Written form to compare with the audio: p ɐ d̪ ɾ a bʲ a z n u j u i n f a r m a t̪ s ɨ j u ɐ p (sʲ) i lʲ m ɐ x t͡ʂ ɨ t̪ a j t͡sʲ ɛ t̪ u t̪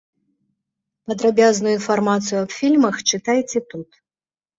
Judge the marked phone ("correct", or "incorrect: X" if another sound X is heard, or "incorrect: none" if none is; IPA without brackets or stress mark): incorrect: fʲ